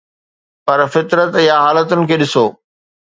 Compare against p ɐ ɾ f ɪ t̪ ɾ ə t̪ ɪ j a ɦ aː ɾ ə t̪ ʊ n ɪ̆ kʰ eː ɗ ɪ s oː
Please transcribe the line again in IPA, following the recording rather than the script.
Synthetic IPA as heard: p ɐ ɾ f ɪ t̪ ɾ ə t̪ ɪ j a ɦ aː l ə t̪ ʊ n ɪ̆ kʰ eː ɗ ɪ s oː